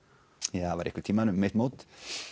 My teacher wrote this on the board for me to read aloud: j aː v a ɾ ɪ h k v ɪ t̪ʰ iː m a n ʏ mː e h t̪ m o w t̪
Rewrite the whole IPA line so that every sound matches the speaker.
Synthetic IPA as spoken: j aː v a ɾ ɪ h k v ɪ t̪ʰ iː m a n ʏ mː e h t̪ m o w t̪